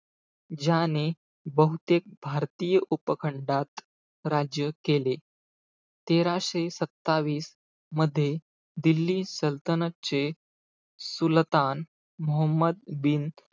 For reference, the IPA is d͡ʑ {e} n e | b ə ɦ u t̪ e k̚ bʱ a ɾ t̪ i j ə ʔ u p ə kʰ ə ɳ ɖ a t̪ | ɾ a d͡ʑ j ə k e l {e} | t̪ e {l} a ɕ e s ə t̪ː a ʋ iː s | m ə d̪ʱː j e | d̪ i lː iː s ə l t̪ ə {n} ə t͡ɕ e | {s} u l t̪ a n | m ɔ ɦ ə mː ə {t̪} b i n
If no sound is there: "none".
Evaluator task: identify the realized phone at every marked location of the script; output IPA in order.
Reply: a, e, ɾ, n, s, d̪

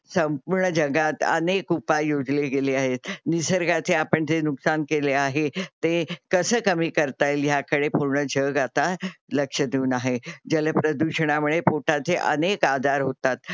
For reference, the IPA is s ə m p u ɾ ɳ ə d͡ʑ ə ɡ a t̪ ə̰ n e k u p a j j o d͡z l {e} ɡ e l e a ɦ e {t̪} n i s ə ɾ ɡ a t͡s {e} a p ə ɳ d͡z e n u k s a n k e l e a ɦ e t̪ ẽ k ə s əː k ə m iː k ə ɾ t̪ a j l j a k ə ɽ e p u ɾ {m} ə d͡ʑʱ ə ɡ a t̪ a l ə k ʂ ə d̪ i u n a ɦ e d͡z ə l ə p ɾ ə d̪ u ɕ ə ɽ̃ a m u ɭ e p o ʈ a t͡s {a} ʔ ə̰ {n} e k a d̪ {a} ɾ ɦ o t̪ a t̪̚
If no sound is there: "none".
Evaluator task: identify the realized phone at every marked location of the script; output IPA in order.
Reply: e, t̪, e, ɳ, e, n, a

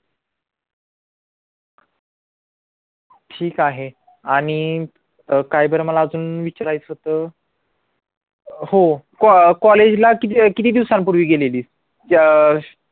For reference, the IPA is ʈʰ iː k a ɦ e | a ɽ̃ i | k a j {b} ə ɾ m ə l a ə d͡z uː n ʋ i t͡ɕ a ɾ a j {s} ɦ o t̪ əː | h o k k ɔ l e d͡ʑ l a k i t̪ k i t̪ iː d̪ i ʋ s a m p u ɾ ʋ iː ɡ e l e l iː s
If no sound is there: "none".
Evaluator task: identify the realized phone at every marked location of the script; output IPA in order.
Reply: b, t͡s

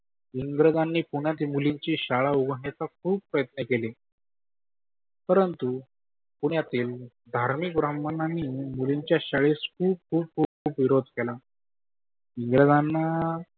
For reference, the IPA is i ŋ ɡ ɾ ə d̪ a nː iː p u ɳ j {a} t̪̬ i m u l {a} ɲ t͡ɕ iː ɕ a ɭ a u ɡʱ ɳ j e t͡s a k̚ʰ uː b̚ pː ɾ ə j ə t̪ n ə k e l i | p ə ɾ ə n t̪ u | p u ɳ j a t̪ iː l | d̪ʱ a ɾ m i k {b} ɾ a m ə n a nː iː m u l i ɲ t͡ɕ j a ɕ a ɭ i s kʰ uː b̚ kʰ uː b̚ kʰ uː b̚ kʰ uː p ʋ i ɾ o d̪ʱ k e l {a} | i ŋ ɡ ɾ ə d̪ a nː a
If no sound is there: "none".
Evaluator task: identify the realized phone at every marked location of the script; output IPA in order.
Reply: a, i, b, a

